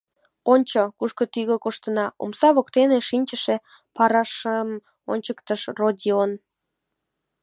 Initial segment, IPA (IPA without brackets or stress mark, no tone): o